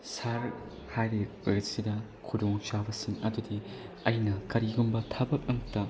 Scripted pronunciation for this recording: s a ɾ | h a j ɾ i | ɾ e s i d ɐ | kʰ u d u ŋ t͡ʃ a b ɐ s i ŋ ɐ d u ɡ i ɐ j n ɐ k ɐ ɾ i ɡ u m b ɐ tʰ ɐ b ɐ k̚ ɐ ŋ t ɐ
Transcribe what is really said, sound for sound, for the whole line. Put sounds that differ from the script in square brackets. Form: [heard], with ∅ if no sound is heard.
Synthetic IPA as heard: s a ɾ | h a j ɾ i | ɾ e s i d ɐ | kʰ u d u ŋ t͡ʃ a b ɐ s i ŋ ɐ d u [d] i ɐ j n ɐ k ɐ ɾ i ɡ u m b ɐ tʰ ɐ b ɐ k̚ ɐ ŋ t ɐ